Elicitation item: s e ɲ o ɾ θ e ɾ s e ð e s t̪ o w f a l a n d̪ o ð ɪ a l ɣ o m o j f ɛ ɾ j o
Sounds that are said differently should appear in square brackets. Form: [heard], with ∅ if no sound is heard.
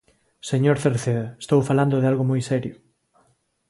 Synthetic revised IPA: s e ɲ o ɾ θ e ɾ [θ] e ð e s t̪ o w f a l a n d̪ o ð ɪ a l ɣ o m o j [s] ɛ ɾ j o